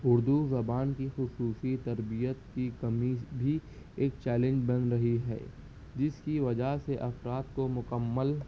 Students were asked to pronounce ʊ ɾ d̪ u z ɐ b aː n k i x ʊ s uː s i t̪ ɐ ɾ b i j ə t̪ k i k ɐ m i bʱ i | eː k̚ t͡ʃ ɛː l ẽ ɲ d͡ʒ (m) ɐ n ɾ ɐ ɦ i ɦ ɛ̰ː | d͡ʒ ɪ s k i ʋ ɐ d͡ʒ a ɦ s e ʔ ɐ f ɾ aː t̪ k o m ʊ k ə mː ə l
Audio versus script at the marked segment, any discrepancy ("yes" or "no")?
yes